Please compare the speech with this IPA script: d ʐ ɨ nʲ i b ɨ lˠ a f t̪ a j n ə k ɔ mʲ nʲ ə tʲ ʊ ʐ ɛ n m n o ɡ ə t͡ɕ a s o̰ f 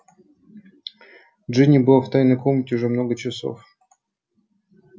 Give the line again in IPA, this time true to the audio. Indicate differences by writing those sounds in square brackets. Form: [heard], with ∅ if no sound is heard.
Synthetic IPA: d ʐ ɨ nʲ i b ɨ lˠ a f t̪ a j n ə k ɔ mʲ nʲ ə tʲ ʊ ʐ ɛ [∅] m n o ɡ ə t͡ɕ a s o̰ f

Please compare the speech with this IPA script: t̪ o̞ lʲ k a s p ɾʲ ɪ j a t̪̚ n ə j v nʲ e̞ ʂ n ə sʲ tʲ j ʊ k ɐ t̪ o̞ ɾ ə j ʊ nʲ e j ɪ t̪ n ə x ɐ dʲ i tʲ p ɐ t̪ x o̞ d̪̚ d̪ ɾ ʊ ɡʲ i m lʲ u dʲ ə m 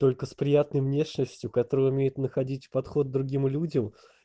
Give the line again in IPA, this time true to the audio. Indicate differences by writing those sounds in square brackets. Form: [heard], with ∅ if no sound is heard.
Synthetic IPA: t̪ o̞ lʲ k [ə] s p ɾʲ ɪ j a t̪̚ n ə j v nʲ e̞ ʂ n ə sʲ tʲ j ʊ k ɐ t̪ o̞ ɾ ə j ʊ [mʲ] e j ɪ t̪ n ə x ɐ dʲ i tʲ p ɐ t̪ x o̞ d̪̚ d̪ ɾ ʊ ɡʲ i m lʲ u dʲ ə m

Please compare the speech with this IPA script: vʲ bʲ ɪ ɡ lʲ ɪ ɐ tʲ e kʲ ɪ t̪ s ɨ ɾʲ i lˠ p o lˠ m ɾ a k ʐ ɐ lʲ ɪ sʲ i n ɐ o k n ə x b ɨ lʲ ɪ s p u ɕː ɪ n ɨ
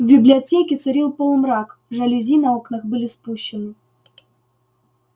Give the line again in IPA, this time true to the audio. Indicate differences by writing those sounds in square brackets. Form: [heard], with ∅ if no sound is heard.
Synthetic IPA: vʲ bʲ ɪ [b] lʲ ɪ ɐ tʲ e kʲ ɪ t̪ s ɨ ɾʲ i lˠ p o lˠ m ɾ a k ʐ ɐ lʲ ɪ [zʲ] i n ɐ o k n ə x b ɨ lʲ ɪ s p u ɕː ɪ n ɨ

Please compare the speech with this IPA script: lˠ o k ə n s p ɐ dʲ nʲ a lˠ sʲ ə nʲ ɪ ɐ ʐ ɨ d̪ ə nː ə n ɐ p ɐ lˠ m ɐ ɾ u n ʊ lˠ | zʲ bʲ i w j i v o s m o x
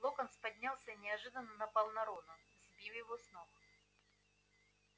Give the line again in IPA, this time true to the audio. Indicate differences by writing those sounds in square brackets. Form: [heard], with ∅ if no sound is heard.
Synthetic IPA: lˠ o k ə n s p ɐ dʲ nʲ a lˠ sʲ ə nʲ ɪ ɐ ʐ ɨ d̪ ə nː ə n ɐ p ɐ lˠ [n] ɐ ɾ [o] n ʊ [∅] | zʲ bʲ i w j [ɪ] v o s [n] o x

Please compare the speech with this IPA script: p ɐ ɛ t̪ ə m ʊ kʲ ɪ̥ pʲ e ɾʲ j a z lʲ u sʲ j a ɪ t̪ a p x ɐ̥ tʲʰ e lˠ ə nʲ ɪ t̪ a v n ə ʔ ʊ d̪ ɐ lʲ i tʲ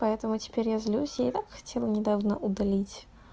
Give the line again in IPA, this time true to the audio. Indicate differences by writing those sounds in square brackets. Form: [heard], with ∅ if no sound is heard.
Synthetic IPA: p ɐ ɛ t̪ ə m ʊ [tʲ] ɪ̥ pʲ e ɾʲ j a z lʲ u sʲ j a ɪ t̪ a [k] x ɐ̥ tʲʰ e lˠ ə nʲ ɪ [d̪] a v n ə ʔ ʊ d̪ ɐ lʲ i tʲ

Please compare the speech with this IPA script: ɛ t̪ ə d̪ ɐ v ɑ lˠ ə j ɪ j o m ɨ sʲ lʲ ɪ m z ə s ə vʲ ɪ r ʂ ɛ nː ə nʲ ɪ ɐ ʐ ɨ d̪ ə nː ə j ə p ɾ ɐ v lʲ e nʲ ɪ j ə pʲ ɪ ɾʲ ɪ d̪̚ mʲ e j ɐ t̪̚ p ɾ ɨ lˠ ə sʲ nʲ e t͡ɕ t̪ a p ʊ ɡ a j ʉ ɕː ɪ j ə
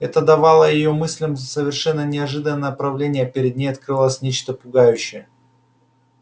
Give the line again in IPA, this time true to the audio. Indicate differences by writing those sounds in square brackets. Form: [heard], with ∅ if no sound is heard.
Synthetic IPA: ɛ t̪ ə d̪ ɐ v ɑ lˠ ə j ɪ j o m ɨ sʲ lʲ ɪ m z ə s ə vʲ ɪ r ʂ ɛ nː ə nʲ ɪ ɐ ʐ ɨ d̪ ə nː ə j ə p ɾ ɐ v lʲ e nʲ ɪ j ə pʲ ɪ ɾʲ ɪ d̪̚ [nʲ] e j ɐ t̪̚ [k] ɾ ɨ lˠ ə sʲ nʲ e t͡ɕ t̪ [ə] p ʊ ɡ a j ʉ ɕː ɪ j ə

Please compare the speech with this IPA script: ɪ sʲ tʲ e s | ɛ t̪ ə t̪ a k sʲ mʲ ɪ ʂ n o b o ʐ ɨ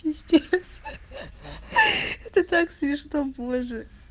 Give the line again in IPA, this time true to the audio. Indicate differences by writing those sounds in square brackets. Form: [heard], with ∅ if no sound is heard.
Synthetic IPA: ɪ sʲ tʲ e s | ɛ t̪ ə t̪ a k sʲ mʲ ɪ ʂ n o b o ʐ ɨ

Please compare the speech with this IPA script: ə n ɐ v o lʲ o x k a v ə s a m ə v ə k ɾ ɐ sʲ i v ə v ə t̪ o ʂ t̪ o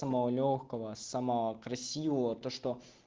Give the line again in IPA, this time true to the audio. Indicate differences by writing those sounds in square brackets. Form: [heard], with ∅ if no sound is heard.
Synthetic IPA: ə [m] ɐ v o lʲ o x k [ə] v ə s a m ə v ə k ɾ ɐ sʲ i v ə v ə t̪ o ʂ t̪ o

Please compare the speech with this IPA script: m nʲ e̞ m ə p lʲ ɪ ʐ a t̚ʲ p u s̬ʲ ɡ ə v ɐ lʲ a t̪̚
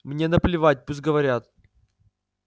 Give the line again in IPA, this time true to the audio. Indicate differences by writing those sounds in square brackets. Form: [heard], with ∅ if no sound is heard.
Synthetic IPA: m nʲ e̞ [n] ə p lʲ ɪ [v] a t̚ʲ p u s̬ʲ ɡ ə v ɐ [ɾʲ] a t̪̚

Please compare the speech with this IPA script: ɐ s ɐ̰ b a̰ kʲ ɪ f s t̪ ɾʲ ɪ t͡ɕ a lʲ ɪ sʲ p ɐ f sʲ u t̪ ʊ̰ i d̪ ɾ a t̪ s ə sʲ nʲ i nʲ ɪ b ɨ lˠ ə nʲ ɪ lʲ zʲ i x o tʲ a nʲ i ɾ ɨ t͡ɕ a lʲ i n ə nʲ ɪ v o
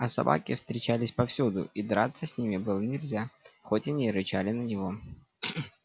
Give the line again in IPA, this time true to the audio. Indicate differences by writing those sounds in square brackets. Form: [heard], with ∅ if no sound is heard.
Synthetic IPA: ɐ s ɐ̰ b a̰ kʲ ɪ f s t̪ ɾʲ ɪ t͡ɕ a lʲ ɪ sʲ p ɐ f sʲ u [d̪] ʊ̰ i d̪ ɾ a t̪ s ə sʲ nʲ i [mʲ] ɪ b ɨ lˠ ə nʲ ɪ lʲ zʲ [a] x o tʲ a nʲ i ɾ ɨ t͡ɕ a lʲ [ɪ] n ə nʲ ɪ v o

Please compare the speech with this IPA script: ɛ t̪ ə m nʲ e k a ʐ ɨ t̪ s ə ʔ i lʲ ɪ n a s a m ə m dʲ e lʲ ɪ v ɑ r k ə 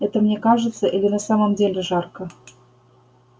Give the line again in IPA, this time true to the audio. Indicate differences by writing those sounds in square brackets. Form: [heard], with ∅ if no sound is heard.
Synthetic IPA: ɛ t̪ ə m nʲ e k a ʐ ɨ t̪ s ə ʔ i lʲ ɪ n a s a m ə m dʲ e lʲ ɪ [ʐ] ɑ r k ə

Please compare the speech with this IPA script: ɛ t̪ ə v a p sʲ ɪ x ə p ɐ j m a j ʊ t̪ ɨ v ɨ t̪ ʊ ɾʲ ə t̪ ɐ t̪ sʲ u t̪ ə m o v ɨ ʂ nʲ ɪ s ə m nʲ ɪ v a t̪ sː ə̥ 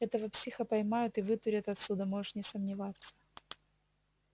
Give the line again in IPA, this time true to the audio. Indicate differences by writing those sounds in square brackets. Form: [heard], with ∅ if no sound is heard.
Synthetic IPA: ɛ t̪ ə v [ə] p sʲ [i] x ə p ɐ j m a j ʊ t̪ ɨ v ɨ t̪ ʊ ɾʲ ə t̪ ɐ t̪ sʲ u [d̪] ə m o [ʐ] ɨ ʂ nʲ ɪ s ə m nʲ ɪ v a t̪ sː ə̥

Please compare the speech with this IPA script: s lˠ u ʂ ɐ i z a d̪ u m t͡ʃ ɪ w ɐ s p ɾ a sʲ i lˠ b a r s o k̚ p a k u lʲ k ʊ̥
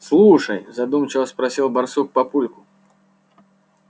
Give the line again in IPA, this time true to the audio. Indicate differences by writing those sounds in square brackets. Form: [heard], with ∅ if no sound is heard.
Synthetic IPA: s lˠ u ʂ ɐ [j] z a d̪ u m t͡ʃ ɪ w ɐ s p ɾ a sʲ i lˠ b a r s [u] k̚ p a [p] u lʲ k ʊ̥

